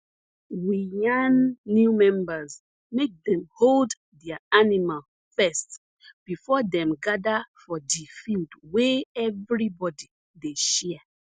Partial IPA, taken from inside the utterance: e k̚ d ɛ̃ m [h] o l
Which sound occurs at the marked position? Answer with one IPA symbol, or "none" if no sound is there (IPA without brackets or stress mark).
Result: h